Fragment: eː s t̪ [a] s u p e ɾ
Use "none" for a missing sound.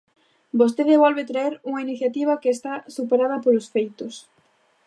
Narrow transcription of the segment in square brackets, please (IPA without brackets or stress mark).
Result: a